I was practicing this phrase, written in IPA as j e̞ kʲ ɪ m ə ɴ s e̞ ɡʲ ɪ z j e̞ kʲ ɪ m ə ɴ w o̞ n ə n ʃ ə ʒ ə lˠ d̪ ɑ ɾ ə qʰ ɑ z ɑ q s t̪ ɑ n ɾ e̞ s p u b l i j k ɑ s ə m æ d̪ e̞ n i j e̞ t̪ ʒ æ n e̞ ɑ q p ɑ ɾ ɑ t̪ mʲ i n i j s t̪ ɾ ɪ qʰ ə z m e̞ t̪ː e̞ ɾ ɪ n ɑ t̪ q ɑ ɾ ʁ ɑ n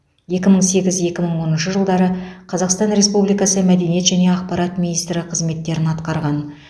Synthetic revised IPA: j e̞ kʲ ɪ m ə ɴ s e̞ ɡʲ ɪ z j e̞ kʲ ɪ m ə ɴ w o̞ n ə n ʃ ə ʒ ə lˠ d̪ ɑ ɾ ə qʰ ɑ z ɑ q s t̪ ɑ n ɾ e̞ s p u b l i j k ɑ s ə m æ d̪ e̞ n i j e̞ t̪ ʒ æ n e̞ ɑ q p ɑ ɾ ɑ t̪ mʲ i n i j s t̪ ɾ ɪ qʰ ə z m e̞ t̪ː e̞ ɾ ɪ n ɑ t̪ q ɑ ɾ ʁ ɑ n